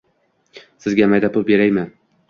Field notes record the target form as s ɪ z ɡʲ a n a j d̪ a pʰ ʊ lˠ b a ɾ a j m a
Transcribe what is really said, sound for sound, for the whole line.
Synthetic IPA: s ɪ z ɡʲ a m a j d̪ a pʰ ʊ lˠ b e ɾ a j m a

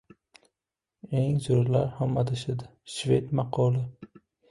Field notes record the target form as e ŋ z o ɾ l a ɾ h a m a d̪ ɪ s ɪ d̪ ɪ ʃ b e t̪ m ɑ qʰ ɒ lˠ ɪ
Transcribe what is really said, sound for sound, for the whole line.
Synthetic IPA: e ŋ z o ɾ l a ɾ h a m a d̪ ɪ ʃ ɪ d̪ ɪ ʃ v e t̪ m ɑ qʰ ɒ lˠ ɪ

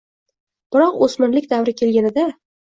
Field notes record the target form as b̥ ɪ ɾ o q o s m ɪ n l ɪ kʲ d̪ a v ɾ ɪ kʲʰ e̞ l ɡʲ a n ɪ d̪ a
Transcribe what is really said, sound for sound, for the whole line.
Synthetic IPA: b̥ ɪ ɾ ɒ q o s m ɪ n l ɪ kʲ d̪ a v ɾ ɪ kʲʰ e̞ l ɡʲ a n ɪ d̪ a

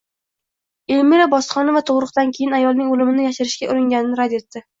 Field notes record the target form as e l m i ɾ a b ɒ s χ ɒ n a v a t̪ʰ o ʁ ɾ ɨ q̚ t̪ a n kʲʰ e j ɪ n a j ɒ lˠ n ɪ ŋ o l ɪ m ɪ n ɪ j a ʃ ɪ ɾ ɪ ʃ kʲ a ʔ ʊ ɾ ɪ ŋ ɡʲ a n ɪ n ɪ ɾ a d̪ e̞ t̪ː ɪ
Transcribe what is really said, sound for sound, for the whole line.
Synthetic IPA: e l m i ɾ a b ɒ s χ ɒ n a v a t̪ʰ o ʁ ɾ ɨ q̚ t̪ a n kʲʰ e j ɪ n a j ɒ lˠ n ɪ ŋ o l ɪ m ɪ n ɪ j a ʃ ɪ ɾ ɪ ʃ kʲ a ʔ ʊ ɾ ɪ ŋ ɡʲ a n ɪ n ɪ ɾ a d̪ e̞ t̪ː ɪ

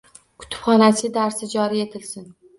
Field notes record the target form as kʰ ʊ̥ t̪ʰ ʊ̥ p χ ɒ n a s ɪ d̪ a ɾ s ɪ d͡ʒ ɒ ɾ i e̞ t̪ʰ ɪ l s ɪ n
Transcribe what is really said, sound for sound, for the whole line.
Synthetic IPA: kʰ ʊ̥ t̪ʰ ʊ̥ p χ ɒ n a s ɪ d̪ a ɾ s ɪ d͡ʒ ɒ ɾ i e̞ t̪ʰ ɪ l s ɪ n

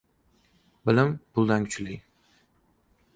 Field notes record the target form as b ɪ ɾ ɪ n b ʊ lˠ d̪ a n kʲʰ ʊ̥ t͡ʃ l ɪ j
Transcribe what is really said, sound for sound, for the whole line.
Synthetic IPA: b ɪ l ɪ m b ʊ lˠ d̪ a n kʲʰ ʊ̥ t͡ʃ l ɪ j

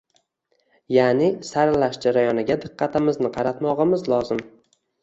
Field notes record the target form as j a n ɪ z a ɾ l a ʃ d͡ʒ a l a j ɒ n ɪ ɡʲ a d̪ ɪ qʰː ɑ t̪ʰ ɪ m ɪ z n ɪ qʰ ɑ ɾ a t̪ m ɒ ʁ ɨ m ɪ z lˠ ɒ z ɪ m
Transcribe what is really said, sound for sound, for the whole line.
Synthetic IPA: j a n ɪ s a ɾ l a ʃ d͡ʒ a ɾ a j ɒ n ɪ ɡʲ a d̪ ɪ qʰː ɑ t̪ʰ ɪ m ɪ z n ɪ qʰ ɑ ɾ a t̪ m ɒ ʁ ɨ m ɪ z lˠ ɒ z ɪ m

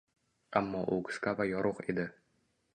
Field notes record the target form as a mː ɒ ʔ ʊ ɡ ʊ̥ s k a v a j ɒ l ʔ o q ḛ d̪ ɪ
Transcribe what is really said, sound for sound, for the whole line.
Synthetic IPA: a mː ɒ ʔ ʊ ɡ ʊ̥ s k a v a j ɒ ɾ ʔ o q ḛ d̪ ɪ

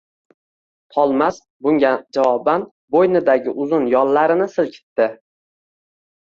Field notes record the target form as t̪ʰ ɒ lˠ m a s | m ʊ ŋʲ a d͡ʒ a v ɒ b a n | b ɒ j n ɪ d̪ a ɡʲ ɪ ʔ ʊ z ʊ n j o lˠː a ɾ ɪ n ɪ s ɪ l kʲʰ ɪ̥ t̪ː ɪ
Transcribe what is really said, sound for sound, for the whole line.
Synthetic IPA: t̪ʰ ɒ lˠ m a s | b ʊ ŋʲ a d͡ʒ a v ɒ b a n | b o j n ɪ d̪ a ɡʲ ɪ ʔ ʊ z ʊ n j ɒ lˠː a ɾ ɪ n ɪ s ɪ l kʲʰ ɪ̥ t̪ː ɪ

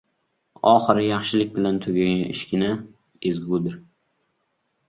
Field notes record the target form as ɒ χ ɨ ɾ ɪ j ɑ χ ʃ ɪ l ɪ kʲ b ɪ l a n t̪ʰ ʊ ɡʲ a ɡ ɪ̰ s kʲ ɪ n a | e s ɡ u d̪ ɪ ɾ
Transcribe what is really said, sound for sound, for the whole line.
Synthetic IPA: ɒ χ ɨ ɾ ɪ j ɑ χ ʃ ɪ l ɪ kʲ b ɪ l a n t̪ʰ ʊ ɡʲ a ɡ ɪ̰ ʃ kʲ ɪ n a | e z ɡ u d̪ ɪ ɾ

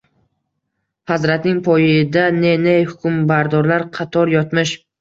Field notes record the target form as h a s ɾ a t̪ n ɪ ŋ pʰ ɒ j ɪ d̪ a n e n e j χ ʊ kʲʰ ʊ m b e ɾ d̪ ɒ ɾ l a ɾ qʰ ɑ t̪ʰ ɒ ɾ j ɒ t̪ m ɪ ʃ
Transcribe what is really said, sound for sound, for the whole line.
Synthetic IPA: h a z ɾ a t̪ n ɪ ŋ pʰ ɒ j ɪ d̪ a n e n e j h ʊ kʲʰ ʊ m b a ɾ d̪ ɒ ɾ l a ɾ qʰ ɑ t̪ʰ ɒ ɾ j ɒ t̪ m ɪ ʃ

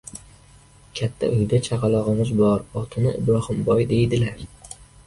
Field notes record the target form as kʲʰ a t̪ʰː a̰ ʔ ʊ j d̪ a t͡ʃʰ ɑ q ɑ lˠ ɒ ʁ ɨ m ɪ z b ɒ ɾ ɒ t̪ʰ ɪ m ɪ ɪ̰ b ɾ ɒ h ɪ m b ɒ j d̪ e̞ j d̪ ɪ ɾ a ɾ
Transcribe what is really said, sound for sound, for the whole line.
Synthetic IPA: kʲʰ a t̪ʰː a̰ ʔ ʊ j d̪ a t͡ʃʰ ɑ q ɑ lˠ ɒ ʁ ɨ m ɪ z b ɒ ɾ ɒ t̪ʰ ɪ n ɪ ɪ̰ b ɾ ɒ h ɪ m b ɒ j d̪ e̞ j d̪ ɪ l a ɾ

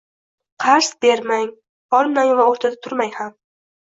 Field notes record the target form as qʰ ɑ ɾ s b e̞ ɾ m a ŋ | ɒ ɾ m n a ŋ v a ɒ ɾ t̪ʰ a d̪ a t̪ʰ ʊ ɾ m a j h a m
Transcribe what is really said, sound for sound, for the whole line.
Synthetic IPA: qʰ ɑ ɾ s b e̞ ɾ m a ŋ | ɒ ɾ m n a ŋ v a o ɾ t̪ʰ a d̪ a t̪ʰ ʊ ɾ m a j h a m

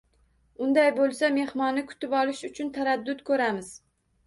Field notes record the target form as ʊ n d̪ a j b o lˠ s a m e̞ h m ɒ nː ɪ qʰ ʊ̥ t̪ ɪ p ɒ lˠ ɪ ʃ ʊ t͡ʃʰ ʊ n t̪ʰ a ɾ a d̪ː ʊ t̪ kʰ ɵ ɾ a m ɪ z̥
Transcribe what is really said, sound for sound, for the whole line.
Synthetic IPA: ʊ n d̪ a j b o lˠ s a m e̞ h m ɒ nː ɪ kʰ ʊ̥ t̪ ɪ p ɒ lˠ ɪ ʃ ʊ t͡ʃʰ ʊ n t̪ʰ a ɾ a d̪ː ʊ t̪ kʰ ɵ ɾ a m ɪ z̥

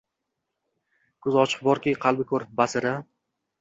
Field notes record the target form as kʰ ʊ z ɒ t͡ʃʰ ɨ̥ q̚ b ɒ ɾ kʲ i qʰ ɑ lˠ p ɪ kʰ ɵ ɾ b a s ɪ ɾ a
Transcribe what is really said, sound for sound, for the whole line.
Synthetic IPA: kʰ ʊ z ɒ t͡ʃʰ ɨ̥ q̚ b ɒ ɾ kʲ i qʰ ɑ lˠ b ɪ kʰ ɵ ɾ b a s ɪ ɾ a

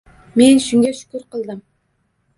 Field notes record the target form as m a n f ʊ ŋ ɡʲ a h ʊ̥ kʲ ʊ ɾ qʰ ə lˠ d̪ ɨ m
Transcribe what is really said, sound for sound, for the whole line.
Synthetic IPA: m e n ʃ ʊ ŋ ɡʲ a ʃ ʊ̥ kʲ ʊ ɾ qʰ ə lˠ d̪ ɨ m

